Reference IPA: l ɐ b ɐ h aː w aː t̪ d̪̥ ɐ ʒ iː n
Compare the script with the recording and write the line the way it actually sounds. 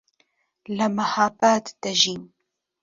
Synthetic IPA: l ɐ m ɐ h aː b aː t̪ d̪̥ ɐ ʒ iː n